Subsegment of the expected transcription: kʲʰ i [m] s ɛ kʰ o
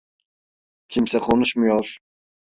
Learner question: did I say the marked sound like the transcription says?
yes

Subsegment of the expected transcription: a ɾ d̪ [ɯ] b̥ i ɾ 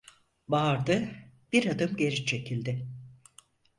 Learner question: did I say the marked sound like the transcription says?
yes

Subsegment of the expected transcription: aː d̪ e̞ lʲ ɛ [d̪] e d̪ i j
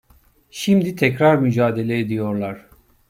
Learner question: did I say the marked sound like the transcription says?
no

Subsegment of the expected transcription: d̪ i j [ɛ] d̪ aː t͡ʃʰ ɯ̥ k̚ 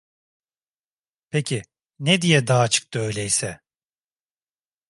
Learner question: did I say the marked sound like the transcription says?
yes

